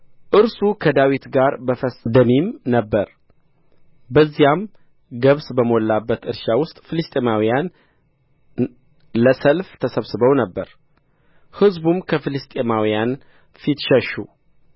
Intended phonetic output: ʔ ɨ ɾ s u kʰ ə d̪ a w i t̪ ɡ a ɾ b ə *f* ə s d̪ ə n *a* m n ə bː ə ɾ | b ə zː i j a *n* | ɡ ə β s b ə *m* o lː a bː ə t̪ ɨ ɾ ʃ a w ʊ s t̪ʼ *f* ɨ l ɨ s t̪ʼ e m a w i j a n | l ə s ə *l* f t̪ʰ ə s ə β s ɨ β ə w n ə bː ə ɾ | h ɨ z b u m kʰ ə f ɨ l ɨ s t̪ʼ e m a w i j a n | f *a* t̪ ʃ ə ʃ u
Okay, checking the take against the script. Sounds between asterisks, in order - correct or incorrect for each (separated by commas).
correct, incorrect, incorrect, correct, correct, correct, incorrect